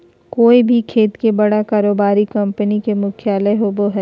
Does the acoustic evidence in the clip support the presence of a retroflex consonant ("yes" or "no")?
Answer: yes